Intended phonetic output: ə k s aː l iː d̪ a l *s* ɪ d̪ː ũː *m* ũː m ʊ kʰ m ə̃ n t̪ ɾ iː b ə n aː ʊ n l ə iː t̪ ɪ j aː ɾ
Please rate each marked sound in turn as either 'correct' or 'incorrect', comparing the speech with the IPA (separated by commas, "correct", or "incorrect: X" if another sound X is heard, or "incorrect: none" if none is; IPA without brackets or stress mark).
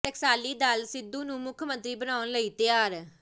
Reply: correct, incorrect: n